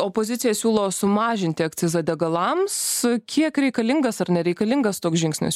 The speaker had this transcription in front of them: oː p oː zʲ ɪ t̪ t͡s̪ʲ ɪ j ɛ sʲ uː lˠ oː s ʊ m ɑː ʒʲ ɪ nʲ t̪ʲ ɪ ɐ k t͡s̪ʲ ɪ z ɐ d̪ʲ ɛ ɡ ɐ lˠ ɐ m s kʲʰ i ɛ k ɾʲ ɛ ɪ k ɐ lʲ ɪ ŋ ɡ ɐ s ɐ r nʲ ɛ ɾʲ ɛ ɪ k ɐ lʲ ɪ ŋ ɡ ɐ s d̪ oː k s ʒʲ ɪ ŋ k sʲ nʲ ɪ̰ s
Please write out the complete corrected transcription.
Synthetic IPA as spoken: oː p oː zʲ ɪ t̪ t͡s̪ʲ ɪ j ɛ sʲ uː lˠ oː s ʊ m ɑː ʒʲ ɪ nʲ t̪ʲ ɪ ɐ k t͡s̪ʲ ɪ z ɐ d̪ʲ ɛ ɡ ɐ lˠ ɐ m s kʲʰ i ɛ k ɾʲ ɛ ɪ k ɐ lʲ ɪ ŋ ɡ ɐ s ɐ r nʲ ɛ ɾʲ ɛ ɪ k ɐ lʲ ɪ ŋ ɡ ɐ s t̪ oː k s ʒʲ ɪ ŋ k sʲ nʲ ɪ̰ s